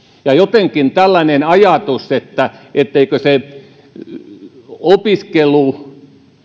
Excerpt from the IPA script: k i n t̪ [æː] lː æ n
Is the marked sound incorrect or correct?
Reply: incorrect